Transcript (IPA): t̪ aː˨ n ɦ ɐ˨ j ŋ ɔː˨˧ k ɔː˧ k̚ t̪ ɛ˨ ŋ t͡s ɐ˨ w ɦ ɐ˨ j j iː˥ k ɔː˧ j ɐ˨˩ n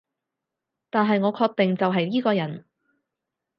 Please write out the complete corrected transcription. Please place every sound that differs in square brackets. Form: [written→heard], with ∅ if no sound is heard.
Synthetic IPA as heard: t̪ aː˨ n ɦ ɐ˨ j ŋ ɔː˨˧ [k→kʰ] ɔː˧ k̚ t̪ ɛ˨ ŋ t͡s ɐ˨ w ɦ ɐ˨ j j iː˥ k ɔː˧ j ɐ˨˩ n